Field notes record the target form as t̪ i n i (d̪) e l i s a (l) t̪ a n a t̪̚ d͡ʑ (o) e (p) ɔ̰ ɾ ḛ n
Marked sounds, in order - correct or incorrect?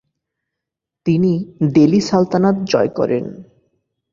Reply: correct, correct, incorrect, incorrect

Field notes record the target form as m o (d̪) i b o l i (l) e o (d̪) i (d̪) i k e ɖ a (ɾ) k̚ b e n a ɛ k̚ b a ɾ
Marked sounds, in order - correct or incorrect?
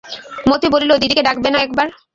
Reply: incorrect, correct, correct, correct, incorrect

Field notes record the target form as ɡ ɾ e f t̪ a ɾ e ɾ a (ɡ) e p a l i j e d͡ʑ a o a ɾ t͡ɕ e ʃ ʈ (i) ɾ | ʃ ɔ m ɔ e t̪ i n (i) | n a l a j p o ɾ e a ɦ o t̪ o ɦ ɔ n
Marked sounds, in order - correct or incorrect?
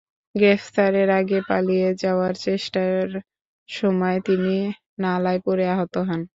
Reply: correct, incorrect, correct

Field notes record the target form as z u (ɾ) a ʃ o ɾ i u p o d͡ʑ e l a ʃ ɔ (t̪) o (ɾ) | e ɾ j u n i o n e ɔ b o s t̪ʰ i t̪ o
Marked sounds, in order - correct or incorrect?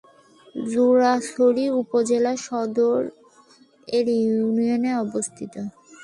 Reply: correct, incorrect, correct

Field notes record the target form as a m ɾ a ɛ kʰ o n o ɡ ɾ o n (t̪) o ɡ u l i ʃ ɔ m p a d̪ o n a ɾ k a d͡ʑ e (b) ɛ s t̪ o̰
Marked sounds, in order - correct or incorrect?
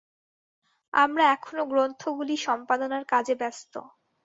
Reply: incorrect, correct

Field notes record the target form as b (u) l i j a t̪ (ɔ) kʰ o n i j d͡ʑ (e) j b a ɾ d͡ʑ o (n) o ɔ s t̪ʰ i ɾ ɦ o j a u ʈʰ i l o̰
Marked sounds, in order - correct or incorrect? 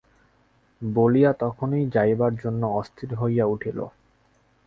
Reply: incorrect, correct, incorrect, incorrect

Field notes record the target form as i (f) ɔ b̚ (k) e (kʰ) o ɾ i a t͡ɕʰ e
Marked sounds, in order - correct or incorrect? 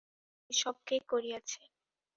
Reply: incorrect, correct, incorrect

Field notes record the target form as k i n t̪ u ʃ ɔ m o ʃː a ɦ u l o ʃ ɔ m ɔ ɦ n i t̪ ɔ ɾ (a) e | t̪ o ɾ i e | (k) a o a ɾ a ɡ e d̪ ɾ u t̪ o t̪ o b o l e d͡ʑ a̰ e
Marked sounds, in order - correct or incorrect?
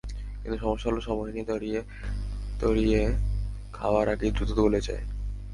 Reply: incorrect, incorrect

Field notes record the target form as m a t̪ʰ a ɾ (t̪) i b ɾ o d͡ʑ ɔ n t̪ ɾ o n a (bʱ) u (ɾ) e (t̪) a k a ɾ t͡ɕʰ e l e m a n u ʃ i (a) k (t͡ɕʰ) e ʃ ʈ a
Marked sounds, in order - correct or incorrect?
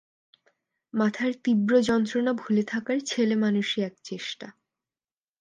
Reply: correct, correct, incorrect, incorrect, incorrect, incorrect

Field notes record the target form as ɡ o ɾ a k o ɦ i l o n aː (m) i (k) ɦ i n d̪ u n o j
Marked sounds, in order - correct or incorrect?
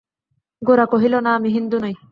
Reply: correct, incorrect

